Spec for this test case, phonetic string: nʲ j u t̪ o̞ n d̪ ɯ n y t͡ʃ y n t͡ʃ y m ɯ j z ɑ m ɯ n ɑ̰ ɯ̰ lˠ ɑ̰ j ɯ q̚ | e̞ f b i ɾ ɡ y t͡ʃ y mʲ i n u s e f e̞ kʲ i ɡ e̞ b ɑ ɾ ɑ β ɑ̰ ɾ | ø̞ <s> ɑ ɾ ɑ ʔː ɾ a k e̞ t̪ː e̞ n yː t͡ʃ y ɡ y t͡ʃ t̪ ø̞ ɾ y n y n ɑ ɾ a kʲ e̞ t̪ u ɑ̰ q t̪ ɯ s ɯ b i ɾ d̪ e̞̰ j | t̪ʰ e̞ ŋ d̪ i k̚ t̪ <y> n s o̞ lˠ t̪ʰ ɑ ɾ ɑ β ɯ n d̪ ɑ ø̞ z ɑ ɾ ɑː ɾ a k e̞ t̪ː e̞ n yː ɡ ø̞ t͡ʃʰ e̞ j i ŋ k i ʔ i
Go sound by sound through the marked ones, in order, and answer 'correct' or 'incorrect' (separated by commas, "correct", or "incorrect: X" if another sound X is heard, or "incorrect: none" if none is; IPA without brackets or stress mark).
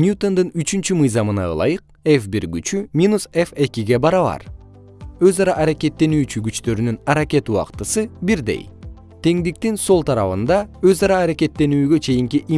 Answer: incorrect: z, incorrect: i